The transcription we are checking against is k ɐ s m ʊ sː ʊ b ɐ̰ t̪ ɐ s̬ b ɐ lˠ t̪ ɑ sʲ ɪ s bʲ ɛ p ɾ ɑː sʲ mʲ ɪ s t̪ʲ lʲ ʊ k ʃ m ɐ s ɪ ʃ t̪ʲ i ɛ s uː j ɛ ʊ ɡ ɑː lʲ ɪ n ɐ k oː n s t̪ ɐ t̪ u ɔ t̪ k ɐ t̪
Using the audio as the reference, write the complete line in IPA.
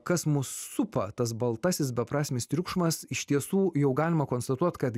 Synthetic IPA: k ɐ s m ʊ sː ʊ p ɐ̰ t̪ ɐ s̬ b ɐ lˠ t̪ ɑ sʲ ɪ s bʲ ɛ p ɾ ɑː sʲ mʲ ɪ s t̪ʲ ɾʲ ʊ k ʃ m ɐ s ɪ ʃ t̪ʲ i ɛ s uː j ɛ ʊ ɡ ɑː lʲ ɪ m ɐ k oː n s t̪ ɐ t̪ u ɔ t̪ k ɐ t̪